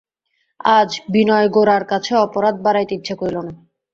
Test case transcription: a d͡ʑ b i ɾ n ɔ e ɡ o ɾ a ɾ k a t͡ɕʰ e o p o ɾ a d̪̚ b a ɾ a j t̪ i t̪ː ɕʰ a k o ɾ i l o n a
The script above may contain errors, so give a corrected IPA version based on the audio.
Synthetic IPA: a d͡ʑ b i n ɔ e ɡ o ɾ a ɾ k a t͡ɕʰ e ɔ p o ɾ a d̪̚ b a ɾ a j t̪ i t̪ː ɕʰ a k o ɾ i l o n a